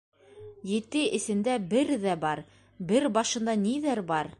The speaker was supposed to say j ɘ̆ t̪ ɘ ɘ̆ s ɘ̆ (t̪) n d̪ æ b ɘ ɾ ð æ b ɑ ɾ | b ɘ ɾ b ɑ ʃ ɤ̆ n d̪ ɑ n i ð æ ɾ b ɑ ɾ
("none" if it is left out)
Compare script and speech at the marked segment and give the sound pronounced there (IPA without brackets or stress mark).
none